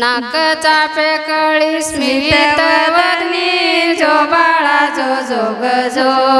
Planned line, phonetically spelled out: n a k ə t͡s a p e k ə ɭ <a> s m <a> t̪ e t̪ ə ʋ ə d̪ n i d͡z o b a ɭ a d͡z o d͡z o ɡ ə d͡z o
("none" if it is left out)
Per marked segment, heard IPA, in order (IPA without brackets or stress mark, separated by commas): i, i